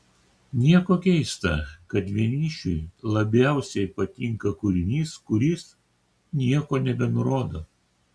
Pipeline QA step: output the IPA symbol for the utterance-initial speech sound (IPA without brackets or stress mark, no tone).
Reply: nʲ